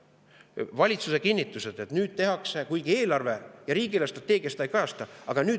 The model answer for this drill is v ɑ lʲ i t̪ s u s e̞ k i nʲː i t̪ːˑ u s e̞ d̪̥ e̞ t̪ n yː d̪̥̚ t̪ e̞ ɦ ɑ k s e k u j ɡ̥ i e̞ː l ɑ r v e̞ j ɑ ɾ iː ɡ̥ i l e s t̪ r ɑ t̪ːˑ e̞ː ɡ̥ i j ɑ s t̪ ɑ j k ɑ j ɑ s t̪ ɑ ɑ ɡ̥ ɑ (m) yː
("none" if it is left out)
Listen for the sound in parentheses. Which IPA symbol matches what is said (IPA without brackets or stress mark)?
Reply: n